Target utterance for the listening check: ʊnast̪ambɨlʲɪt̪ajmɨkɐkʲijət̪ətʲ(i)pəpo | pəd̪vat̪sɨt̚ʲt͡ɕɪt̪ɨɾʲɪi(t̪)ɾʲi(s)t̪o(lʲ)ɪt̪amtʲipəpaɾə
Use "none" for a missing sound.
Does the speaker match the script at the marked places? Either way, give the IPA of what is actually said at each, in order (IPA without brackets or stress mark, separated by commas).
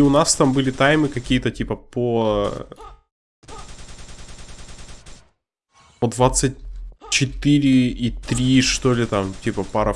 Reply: i, t̪, ʂ, lʲ